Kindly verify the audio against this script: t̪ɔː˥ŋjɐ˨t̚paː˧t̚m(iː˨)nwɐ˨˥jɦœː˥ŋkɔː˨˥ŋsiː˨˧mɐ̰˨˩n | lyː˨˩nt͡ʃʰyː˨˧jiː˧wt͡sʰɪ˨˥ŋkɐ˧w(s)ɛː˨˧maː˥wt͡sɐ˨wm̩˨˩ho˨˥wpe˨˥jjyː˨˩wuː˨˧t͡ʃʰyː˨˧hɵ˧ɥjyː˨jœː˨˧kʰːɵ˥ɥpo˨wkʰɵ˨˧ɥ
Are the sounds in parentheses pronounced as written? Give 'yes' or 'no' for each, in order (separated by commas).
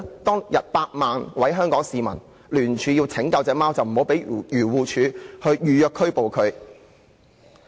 no, no